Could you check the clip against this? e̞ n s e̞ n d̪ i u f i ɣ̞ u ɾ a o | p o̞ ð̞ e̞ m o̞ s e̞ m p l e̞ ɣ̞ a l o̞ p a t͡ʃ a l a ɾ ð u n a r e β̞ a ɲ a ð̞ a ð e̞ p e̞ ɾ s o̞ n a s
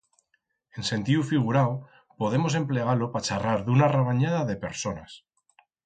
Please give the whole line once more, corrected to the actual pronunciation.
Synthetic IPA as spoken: e̞ n s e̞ n t̪ i u f i ɣ̞ u ɾ a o | p o̞ ð̞ e̞ m o̞ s e̞ m p l e̞ ɣ̞ a l o̞ p a t͡ʃ a r a ɾ ð u n a r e β̞ a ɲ a ð̞ a ð e̞ p e̞ ɾ s o̞ n a s